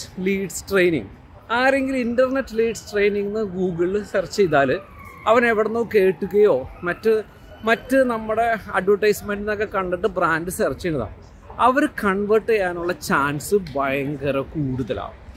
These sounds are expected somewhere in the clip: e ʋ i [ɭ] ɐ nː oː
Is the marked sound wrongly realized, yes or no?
yes